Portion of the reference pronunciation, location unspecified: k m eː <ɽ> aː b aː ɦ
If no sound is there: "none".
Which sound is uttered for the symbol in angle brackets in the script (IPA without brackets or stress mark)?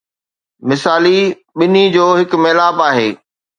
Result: l